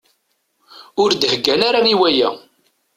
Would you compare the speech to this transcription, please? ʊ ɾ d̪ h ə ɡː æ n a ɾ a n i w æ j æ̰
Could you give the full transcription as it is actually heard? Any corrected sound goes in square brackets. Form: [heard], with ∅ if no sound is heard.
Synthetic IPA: ʊ ɾ d̪ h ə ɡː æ n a ɾ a n i w æ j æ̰